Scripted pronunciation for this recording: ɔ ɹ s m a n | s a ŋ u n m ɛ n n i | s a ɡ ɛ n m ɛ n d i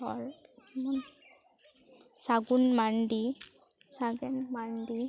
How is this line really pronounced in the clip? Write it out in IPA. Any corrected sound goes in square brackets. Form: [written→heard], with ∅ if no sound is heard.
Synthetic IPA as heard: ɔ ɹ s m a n | s a [ŋ→ɡ] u n m [ɛ→a] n [n→d] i | s a ɡ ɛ n m [ɛ→a] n d i